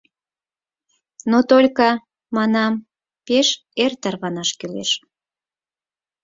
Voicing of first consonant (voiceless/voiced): voiced